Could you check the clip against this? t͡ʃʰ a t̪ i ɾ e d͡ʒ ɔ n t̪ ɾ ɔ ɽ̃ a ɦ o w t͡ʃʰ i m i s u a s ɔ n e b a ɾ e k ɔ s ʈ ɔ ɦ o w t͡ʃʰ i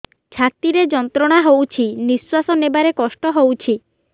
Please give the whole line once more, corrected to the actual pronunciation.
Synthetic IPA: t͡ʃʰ a t̪ i ɾ e d͡ʒ ɔ n t̪ ɾ ɔ ɽ̃ a ɦ o w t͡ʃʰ i n i s w a s ɔ n e b a ɾ e k ɔ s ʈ ɔ ɦ o w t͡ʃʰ i